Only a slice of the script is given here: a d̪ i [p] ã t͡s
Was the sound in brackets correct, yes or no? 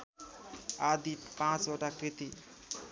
yes